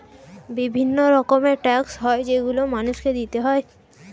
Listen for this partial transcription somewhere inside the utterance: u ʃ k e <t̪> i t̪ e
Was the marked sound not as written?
yes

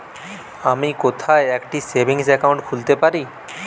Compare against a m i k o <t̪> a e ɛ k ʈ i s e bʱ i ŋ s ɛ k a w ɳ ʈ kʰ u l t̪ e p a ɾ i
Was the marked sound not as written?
yes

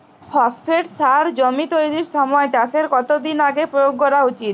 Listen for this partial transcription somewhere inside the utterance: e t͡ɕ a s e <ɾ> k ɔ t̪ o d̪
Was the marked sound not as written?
no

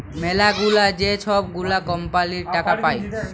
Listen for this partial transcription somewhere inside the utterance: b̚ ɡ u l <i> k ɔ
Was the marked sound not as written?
yes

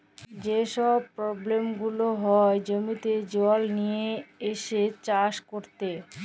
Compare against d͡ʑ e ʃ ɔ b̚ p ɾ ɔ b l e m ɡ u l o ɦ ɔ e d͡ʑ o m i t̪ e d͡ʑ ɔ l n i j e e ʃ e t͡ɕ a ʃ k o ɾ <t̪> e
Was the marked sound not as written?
no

